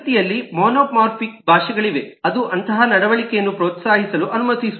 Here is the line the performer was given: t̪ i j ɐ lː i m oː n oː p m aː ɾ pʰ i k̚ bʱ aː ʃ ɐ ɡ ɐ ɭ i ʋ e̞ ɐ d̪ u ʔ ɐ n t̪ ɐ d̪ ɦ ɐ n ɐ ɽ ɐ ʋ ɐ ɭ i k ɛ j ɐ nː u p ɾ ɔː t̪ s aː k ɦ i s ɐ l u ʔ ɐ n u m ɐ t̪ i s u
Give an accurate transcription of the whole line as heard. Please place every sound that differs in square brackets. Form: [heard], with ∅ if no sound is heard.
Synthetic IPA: t̪ i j ɐ lː i m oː n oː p m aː ɾ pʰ i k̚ bʱ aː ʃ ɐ ɡ ɐ ɭ i ʋ e̞ ɐ d̪ u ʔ ɐ n t̪ ɐ [∅] ɦ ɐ n ɐ ɽ ɐ ʋ ɐ ɭ i k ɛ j ɐ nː u p ɾ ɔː t̪ s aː [∅] ɦ i s ɐ l u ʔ ɐ n u m ɐ t̪ i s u